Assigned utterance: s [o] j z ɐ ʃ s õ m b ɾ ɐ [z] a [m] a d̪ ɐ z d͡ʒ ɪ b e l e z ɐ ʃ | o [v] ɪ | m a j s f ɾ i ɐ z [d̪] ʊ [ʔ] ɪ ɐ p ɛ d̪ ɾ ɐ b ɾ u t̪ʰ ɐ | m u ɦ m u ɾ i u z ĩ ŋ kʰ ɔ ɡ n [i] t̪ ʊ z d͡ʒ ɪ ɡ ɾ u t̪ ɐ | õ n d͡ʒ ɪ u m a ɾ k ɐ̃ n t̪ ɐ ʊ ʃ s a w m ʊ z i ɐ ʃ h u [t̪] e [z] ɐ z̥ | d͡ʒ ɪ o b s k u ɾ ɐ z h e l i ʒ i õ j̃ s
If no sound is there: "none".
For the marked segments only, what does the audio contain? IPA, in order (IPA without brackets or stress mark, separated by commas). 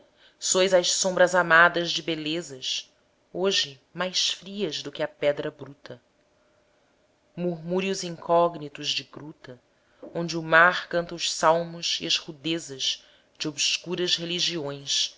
o, z, m, ʒ, d̪, k, i, d̪, z